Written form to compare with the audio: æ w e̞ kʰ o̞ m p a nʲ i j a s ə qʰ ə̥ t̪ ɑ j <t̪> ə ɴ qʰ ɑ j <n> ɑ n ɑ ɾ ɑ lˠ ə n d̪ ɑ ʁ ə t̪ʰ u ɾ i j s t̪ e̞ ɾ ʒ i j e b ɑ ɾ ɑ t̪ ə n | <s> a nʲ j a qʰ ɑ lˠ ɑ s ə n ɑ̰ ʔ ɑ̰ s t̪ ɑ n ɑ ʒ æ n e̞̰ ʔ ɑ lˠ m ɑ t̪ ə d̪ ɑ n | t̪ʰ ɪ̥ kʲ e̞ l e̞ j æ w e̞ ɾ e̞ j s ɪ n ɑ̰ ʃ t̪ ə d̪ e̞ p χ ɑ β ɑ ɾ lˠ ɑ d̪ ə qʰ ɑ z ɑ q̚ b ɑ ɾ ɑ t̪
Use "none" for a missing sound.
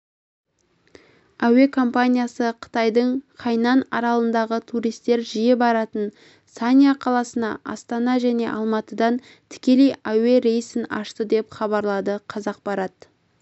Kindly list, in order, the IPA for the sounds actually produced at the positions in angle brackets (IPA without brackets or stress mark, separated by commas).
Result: d̪, n, s